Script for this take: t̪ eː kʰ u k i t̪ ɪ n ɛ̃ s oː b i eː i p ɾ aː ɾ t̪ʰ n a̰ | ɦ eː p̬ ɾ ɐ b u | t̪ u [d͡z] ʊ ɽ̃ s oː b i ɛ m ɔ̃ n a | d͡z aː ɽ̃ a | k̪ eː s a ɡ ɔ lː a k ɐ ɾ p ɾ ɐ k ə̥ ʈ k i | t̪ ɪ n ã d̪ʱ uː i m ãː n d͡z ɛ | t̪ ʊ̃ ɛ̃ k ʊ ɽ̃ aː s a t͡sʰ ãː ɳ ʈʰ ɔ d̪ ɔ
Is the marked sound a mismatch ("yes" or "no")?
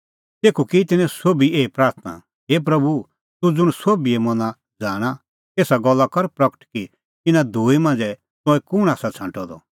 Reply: no